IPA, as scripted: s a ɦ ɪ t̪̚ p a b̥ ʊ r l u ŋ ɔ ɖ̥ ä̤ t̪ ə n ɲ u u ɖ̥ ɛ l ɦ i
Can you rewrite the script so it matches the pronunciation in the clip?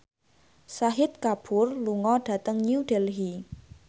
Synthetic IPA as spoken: s a ɦ ɪ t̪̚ k a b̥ ʊ r l u ŋ ɔ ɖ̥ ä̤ t̪ ə ŋ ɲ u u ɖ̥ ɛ l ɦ i